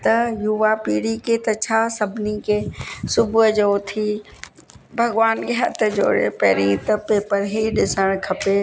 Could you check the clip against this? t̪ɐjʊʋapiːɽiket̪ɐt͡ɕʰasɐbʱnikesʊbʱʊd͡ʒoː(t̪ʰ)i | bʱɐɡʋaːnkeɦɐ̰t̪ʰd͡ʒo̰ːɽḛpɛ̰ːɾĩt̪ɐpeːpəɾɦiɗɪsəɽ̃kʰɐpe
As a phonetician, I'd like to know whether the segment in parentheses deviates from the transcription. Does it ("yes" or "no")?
no